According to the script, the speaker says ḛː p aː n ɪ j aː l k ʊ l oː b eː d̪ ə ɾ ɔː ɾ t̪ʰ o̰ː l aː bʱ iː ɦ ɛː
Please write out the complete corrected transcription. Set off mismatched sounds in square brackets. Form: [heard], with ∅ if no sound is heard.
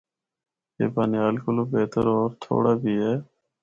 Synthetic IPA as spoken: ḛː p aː n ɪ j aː l k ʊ l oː b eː [t̪] ə ɾ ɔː ɾ t̪ʰ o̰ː [ɽ] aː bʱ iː ɦ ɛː